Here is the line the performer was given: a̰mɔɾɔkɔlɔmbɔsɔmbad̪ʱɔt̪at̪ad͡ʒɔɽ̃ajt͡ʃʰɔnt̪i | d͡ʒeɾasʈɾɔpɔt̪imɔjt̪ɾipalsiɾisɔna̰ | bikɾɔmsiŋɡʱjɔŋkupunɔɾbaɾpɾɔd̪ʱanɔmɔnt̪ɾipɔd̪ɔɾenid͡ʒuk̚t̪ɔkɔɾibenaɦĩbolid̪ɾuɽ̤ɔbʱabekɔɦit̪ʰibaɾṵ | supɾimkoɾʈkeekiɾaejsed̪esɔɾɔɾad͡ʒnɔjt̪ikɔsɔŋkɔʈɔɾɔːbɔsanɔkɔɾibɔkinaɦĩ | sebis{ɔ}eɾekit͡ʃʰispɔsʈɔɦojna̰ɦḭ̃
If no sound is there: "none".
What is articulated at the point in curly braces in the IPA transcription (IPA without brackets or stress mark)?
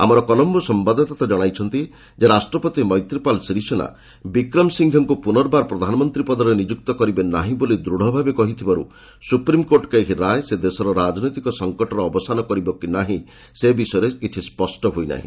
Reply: ɔ